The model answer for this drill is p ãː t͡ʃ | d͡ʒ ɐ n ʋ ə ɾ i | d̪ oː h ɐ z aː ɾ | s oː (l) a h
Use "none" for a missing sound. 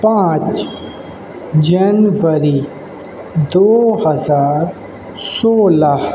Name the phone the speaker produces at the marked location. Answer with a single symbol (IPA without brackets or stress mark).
l